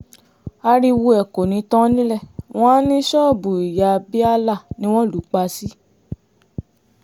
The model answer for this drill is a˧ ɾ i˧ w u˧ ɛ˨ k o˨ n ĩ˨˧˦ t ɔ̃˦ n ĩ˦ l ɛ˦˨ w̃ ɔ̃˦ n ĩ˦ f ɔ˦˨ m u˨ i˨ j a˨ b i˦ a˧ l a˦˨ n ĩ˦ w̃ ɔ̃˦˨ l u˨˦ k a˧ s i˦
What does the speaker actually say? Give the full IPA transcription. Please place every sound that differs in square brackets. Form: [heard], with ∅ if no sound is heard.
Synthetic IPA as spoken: a˧ ɾ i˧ w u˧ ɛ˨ k o˨ n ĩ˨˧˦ t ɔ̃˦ n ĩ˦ l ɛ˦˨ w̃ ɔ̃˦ n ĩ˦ [ʃ] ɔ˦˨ [b] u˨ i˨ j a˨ b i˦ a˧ l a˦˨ n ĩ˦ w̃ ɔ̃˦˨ l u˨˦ [k͡p] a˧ s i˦